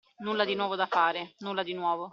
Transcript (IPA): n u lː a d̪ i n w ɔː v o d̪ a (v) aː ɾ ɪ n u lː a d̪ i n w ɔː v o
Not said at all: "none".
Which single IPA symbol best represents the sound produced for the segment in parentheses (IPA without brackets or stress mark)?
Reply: f